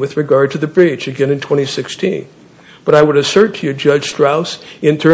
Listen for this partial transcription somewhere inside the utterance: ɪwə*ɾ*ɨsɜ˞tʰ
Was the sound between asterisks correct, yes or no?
yes